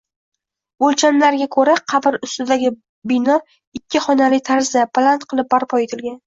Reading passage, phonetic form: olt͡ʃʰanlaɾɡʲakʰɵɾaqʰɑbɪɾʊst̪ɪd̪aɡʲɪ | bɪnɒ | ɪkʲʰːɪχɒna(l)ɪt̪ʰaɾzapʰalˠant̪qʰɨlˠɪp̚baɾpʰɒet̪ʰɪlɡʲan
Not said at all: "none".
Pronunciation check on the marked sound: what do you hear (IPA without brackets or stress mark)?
l